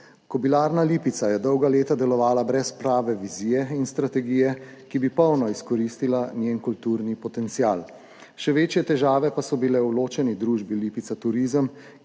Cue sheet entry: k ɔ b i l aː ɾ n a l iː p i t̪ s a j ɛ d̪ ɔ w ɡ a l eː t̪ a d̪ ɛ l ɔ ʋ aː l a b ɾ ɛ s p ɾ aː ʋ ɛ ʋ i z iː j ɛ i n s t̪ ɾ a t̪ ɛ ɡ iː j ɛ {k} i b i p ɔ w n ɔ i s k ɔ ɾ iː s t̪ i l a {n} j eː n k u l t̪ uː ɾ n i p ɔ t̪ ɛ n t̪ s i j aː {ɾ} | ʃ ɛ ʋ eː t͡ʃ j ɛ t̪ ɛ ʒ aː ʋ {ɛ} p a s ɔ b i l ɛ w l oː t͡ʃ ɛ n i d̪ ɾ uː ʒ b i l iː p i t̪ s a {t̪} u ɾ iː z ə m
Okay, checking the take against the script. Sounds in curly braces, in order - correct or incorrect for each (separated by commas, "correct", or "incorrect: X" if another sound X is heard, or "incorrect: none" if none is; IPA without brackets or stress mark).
correct, correct, incorrect: l, correct, correct